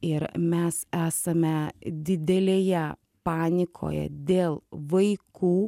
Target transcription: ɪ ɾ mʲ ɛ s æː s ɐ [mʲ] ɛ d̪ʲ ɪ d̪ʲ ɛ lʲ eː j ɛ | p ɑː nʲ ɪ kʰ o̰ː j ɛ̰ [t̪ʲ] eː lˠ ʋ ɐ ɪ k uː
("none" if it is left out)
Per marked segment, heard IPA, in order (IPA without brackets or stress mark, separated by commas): mʲ, d̪ʲ